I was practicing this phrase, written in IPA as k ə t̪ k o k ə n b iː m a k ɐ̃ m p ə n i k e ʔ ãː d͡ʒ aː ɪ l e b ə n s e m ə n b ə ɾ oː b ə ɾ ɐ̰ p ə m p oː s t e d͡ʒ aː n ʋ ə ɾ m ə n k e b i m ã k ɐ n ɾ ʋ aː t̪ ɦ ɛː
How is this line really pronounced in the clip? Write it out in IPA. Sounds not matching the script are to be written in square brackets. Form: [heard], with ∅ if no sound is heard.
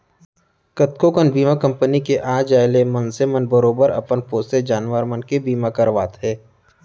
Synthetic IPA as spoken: k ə t̪ k o k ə n b iː m a k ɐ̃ m p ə n i k e ʔ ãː d͡ʒ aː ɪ l e [m] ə n s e m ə n b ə ɾ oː b ə ɾ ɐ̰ p ə [n] p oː s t e d͡ʒ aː n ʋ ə ɾ m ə n k e b [iː] m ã k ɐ [∅] ɾ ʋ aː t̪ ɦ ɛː

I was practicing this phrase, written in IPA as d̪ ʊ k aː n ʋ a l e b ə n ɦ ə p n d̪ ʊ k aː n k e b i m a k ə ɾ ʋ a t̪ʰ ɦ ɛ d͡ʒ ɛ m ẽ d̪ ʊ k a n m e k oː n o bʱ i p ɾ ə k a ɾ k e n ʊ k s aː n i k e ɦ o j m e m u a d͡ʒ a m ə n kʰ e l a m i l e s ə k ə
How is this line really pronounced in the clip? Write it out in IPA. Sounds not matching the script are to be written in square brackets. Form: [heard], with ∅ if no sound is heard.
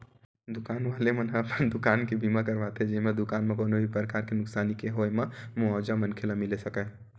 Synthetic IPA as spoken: d̪ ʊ k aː n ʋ a l e [m] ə n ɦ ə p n d̪ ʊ k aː n k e b i m a k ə ɾ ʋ a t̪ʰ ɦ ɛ d͡ʒ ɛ m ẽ d̪ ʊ k a n m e k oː n o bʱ i p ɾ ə k a ɾ k e n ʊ k s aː n i k e ɦ o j m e m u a d͡ʒ a m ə n kʰ e l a m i l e s ə k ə

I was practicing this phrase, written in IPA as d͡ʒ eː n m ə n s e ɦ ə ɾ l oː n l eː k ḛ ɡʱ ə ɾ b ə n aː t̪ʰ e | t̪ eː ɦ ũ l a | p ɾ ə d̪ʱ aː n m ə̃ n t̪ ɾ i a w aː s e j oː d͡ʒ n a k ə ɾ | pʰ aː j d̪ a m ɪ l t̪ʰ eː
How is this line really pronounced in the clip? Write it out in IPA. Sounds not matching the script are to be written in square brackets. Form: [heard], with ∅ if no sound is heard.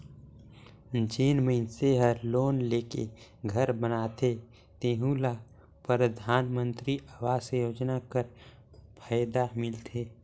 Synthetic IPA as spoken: d͡ʒ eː n m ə n s e ɦ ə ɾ l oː n l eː k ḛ ɡʱ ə ɾ b ə n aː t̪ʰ e | t̪ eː ɦ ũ l a | p ɾ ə d̪ʱ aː n m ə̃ n t̪ ɾ i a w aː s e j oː d͡ʒ n a k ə ɾ | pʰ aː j d̪ a m ɪ l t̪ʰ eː

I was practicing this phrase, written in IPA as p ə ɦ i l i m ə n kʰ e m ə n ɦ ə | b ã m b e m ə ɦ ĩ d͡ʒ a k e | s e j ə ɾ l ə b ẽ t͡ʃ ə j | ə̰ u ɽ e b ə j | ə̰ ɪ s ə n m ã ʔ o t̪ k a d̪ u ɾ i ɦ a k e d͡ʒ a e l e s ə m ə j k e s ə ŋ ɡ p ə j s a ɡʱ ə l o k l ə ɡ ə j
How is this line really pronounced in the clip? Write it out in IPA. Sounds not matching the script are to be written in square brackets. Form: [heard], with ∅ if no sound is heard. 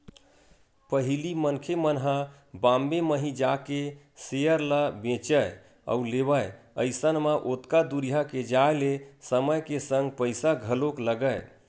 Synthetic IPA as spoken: p ə ɦ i l i m ə n kʰ e m ə n ɦ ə | b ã m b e m ə ɦ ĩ d͡ʒ a k e | s e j ə ɾ l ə b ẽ t͡ʃ ə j | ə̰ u [l] e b ə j | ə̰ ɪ s ə n m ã ʔ o t̪ k a d̪ u ɾ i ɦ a k e d͡ʒ a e l e s ə m ə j k e s ə ŋ ɡ p ə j s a ɡʱ ə l o k l ə ɡ ə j

